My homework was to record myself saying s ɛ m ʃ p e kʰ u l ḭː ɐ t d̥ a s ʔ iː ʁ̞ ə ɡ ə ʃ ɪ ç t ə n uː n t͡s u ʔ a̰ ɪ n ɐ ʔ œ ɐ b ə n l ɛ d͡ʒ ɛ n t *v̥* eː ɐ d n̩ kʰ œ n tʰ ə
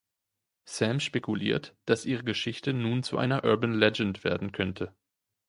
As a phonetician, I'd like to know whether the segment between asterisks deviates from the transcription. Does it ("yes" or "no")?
no